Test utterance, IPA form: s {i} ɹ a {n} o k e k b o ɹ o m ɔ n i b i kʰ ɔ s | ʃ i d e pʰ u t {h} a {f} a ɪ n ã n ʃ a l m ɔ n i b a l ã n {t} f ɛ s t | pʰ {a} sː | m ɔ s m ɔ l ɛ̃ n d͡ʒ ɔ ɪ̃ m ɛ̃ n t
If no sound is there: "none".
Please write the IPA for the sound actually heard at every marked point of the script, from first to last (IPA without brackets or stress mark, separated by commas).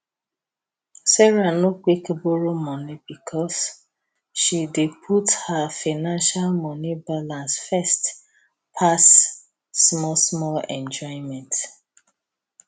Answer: ɛ, n, h, f, s, a